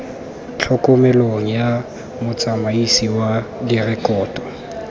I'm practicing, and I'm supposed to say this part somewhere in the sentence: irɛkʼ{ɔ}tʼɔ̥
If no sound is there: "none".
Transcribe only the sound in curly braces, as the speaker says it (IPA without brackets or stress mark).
ɔː